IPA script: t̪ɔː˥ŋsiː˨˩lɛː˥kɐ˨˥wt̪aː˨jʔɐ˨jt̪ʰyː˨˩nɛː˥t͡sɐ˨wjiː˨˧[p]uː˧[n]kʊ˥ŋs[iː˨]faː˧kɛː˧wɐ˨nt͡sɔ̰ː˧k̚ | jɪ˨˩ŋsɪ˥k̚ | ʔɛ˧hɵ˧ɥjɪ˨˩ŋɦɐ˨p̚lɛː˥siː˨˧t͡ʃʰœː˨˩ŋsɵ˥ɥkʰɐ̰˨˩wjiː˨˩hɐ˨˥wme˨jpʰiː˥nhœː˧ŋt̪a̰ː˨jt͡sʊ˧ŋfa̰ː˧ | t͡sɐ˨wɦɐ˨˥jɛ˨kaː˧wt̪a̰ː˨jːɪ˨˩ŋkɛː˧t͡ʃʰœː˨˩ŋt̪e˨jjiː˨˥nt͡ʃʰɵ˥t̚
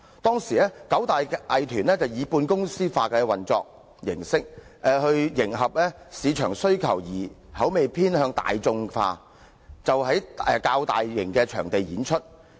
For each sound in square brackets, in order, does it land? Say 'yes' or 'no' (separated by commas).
yes, yes, no